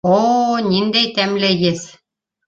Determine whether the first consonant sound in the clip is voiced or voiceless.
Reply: voiced